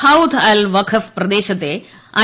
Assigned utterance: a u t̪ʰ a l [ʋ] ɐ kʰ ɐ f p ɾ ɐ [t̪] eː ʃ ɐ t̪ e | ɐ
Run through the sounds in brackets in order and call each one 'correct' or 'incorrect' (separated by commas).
correct, incorrect